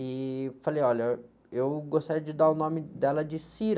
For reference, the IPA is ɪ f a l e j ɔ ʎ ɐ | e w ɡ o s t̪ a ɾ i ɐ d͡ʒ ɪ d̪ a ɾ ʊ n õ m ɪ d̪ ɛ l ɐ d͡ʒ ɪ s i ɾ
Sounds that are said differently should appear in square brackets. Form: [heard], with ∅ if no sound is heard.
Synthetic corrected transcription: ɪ f a l e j ɔ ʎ ɐ | e w ɡ o s t̪ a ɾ i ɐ d͡ʒ ɪ d̪ a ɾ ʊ n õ m ɪ d̪ ɛ l ɐ d͡ʒ ɪ s i ɾ